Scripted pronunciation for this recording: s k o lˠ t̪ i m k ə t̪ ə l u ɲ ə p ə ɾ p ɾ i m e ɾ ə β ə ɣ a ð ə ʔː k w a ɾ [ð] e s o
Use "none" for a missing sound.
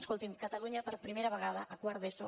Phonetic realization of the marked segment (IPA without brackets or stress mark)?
ð